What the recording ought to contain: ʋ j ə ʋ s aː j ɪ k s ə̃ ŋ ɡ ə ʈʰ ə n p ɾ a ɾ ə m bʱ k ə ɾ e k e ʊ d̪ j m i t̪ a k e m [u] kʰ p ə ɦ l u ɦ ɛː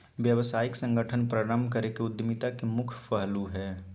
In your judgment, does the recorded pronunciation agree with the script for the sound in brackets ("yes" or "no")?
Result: no